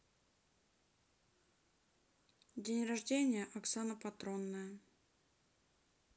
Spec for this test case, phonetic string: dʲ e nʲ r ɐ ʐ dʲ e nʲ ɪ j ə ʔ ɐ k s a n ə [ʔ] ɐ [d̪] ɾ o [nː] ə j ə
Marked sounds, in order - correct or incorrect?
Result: incorrect: p, incorrect: t̪, correct

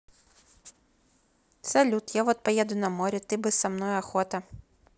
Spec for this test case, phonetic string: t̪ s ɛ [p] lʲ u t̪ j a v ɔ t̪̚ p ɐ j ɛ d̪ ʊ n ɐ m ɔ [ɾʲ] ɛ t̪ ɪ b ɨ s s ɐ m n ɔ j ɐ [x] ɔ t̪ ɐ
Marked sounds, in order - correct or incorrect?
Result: incorrect: none, correct, correct

